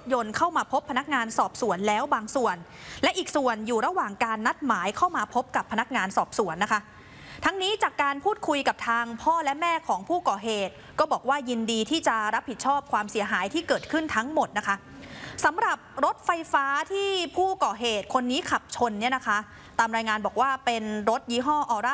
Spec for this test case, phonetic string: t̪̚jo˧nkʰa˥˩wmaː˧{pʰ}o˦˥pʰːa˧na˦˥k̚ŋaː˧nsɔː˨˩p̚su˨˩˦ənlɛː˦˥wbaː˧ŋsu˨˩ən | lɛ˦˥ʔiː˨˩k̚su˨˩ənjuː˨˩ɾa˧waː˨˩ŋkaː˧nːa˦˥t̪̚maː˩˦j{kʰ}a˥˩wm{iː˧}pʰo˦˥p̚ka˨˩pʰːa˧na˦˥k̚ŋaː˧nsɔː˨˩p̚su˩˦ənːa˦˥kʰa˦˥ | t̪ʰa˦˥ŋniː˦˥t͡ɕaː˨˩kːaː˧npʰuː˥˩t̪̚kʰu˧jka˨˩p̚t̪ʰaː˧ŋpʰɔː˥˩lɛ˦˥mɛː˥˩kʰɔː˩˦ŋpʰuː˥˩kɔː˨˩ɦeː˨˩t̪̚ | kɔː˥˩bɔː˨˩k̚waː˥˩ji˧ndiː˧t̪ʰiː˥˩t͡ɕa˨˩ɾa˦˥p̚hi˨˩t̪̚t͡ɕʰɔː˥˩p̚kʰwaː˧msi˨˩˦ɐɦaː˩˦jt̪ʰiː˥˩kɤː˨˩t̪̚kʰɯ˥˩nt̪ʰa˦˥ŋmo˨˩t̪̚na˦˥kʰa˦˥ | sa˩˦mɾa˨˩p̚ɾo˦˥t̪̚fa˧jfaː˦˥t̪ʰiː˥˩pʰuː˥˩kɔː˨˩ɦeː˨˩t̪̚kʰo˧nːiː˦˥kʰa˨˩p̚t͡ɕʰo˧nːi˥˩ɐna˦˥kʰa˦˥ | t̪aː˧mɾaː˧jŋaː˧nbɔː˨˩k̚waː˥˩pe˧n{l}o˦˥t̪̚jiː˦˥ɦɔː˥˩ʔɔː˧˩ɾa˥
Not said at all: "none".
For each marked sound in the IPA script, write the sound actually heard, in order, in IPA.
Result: pʰ, kʰ, aː˧, ɾ

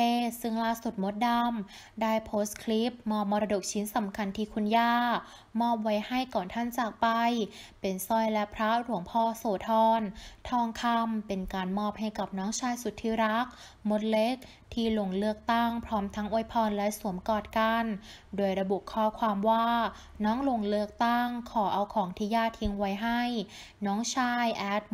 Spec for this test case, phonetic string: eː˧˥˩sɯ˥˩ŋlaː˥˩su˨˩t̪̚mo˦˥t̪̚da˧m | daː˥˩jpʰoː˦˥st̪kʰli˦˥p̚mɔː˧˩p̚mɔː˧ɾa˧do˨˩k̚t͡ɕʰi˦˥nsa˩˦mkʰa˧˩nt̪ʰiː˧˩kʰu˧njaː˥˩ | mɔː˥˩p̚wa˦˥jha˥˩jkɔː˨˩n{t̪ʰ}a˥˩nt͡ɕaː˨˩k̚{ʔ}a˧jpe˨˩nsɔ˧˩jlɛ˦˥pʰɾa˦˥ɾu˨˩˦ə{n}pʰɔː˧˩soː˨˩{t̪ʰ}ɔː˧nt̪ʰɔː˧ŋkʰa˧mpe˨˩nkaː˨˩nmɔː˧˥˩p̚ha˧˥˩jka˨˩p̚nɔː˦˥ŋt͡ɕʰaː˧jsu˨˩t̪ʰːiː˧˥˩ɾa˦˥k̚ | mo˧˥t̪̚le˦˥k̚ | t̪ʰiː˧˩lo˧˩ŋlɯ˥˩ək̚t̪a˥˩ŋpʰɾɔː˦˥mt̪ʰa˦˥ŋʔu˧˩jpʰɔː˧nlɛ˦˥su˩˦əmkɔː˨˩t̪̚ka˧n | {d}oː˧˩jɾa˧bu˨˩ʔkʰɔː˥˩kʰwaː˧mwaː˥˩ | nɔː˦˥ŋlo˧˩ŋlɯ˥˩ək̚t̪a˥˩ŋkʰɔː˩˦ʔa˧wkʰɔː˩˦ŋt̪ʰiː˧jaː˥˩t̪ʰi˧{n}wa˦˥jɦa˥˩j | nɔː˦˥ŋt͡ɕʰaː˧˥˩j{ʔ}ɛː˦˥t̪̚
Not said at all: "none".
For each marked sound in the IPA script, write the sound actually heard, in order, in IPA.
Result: t̪ʰ, p, ŋ, t̪ʰ, d, ŋ, ʔ

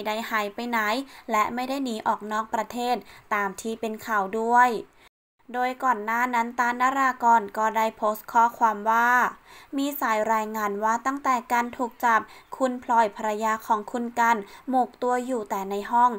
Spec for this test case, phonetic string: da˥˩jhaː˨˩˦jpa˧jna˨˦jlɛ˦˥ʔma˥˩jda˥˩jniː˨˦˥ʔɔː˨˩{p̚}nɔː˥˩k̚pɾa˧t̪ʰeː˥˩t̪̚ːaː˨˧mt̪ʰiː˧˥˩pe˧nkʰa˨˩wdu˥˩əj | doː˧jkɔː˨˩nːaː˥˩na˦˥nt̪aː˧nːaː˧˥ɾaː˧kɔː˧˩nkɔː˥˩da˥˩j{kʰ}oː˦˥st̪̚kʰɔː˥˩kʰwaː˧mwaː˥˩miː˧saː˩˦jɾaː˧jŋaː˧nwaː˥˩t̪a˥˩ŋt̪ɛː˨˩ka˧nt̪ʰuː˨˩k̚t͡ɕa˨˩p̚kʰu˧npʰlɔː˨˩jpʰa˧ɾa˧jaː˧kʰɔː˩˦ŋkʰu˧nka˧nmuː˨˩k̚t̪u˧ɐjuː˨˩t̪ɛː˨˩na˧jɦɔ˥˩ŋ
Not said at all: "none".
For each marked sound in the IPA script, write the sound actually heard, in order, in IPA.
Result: k̚, pʰ

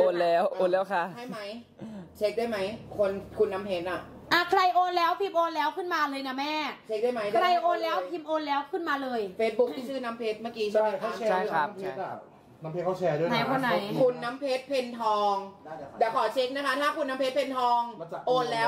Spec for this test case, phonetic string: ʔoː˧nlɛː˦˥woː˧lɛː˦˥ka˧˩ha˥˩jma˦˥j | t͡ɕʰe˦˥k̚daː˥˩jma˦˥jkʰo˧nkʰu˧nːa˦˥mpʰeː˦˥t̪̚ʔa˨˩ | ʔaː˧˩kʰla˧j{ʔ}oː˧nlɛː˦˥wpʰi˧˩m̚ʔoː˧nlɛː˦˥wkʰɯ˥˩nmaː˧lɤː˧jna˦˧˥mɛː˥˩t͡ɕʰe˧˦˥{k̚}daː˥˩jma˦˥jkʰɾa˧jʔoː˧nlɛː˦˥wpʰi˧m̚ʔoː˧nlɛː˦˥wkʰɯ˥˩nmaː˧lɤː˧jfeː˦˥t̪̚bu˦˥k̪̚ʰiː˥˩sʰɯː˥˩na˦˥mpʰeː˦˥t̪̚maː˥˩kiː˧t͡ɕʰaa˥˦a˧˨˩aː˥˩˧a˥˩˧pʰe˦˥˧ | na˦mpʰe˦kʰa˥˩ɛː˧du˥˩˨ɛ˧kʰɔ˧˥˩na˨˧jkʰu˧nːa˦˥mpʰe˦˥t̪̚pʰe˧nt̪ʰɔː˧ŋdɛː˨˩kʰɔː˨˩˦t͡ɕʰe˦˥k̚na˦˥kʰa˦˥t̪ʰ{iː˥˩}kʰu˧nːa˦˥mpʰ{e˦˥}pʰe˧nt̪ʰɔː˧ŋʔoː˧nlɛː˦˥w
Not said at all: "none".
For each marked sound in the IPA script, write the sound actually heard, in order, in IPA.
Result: ʔ, k̚, aː˥˩, e˦˥

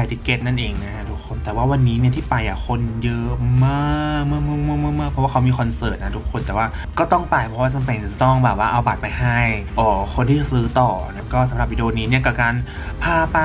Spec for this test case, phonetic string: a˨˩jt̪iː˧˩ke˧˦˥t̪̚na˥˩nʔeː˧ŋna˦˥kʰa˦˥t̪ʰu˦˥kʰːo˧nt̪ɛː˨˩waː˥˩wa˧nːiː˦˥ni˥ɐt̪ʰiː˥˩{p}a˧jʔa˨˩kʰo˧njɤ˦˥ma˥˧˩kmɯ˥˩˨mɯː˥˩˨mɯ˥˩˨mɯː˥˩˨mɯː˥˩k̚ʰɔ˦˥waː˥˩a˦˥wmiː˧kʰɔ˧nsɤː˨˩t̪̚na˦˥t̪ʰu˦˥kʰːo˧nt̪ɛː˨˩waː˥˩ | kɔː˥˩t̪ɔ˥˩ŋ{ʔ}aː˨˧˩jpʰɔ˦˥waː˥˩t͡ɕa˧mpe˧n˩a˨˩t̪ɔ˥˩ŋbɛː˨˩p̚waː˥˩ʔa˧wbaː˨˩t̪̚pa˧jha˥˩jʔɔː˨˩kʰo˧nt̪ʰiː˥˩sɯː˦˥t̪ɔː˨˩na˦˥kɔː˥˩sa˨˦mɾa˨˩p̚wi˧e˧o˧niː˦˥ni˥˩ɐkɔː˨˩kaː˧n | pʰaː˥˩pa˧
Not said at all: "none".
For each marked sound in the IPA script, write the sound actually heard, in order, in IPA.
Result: p, p

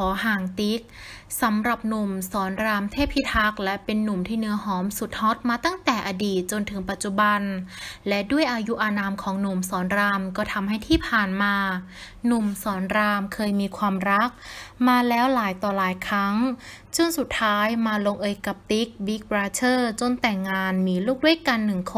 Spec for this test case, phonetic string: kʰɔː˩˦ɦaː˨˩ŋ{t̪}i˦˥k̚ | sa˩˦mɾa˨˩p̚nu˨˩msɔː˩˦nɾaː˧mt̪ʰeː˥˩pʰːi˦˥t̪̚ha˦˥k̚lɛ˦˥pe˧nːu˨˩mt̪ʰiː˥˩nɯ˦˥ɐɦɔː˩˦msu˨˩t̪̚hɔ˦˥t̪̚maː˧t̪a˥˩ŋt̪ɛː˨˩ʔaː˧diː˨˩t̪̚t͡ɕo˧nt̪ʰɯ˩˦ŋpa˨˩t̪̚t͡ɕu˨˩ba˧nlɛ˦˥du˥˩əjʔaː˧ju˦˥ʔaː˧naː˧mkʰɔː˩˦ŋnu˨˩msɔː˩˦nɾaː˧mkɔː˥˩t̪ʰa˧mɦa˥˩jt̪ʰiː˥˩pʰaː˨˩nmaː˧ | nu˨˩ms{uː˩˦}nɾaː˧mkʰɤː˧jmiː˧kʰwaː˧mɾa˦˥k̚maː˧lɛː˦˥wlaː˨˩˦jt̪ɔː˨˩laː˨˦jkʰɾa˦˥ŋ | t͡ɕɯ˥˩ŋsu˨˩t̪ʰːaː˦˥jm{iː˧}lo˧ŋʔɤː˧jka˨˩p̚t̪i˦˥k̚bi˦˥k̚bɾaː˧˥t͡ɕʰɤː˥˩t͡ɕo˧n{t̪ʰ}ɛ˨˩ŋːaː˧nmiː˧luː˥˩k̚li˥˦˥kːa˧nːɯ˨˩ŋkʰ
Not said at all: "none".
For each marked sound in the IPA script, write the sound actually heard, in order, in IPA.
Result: t̪, ɔː˩˦, aː˧, t̪

